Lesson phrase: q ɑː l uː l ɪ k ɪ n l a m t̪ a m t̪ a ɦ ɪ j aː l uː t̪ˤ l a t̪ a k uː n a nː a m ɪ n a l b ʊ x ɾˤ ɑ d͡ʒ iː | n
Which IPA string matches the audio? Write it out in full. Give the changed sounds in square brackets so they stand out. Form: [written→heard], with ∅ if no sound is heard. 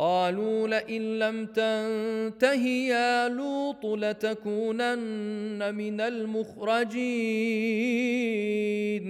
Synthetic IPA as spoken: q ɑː l uː l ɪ [k→ʔ] ɪ n l a m t̪ a [m→n] t̪ a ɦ ɪ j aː l uː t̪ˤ l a t̪ a k uː n a nː a m ɪ n a l [b→m] ʊ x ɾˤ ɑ d͡ʒ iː | n